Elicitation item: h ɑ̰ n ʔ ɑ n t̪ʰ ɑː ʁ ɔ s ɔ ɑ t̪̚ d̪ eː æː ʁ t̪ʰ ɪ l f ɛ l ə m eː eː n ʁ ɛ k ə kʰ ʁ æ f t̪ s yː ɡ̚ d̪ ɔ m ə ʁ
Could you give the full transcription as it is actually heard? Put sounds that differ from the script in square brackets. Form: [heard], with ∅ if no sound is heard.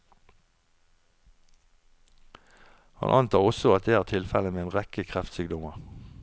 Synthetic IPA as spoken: h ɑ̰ n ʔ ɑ n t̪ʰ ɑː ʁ ɔ s ɔ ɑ t̪̚ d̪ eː æː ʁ t̪ʰ ɪ l f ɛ l ə m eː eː n ʁ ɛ k ə kʰ ʁ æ f t̪ s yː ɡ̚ d̪ ɔ m ə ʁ